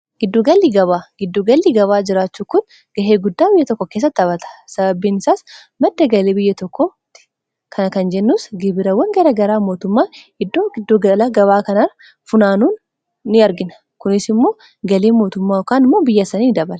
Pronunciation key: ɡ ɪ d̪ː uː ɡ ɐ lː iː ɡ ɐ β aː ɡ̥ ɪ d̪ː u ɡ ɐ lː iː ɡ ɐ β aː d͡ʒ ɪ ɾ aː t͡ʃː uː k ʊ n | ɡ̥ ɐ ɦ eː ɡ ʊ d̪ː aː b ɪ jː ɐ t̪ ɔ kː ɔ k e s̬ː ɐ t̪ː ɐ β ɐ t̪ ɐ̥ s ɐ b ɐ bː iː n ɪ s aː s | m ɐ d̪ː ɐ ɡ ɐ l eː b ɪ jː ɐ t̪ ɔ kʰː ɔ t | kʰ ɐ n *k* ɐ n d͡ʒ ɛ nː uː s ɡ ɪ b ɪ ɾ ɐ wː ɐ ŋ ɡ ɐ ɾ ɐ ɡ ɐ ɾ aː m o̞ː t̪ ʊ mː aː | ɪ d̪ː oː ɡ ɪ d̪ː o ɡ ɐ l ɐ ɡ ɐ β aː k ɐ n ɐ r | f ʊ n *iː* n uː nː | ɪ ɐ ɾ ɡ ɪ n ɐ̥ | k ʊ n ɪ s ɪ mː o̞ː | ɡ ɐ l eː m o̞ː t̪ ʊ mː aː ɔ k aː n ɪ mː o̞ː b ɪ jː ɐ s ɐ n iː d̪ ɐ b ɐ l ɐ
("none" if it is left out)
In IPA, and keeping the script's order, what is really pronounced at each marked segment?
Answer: k, aː

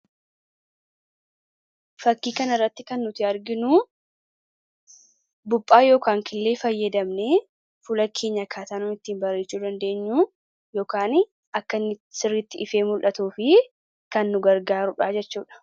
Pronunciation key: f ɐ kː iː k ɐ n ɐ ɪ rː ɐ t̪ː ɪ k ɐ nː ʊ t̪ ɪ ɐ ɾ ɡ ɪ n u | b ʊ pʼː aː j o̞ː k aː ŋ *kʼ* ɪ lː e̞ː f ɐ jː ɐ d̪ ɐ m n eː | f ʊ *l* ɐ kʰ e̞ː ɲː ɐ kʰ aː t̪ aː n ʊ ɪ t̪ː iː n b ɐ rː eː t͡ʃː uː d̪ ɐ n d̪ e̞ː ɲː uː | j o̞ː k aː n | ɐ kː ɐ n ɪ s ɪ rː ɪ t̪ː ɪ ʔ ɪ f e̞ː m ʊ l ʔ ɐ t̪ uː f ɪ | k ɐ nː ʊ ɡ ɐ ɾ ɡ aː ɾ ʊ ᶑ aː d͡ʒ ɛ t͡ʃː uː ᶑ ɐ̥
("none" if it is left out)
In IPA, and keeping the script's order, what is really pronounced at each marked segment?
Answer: k, l

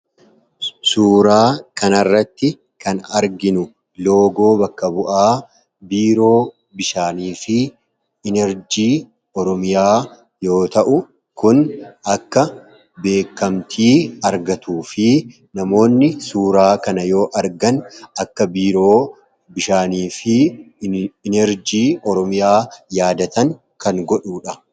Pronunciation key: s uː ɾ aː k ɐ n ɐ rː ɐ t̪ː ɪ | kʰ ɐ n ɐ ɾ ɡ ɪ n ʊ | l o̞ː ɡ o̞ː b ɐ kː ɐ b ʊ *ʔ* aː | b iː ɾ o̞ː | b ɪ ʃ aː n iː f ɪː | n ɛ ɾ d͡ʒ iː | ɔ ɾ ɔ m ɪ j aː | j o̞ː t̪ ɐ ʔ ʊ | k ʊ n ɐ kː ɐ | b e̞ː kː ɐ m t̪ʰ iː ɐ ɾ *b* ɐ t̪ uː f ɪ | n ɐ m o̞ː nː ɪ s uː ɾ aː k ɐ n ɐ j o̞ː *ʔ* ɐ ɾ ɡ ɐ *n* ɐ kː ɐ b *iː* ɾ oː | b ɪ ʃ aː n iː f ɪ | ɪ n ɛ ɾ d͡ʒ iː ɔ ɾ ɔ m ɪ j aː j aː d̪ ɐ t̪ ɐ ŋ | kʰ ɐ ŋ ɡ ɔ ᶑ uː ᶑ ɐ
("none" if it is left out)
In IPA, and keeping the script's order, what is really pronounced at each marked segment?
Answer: ʔ, ɡ, ʔ, n, iː

